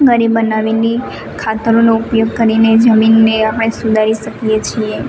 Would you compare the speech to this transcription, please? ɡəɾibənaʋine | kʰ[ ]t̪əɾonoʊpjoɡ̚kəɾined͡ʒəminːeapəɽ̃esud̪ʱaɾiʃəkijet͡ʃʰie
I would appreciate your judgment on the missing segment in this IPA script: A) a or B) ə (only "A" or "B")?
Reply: A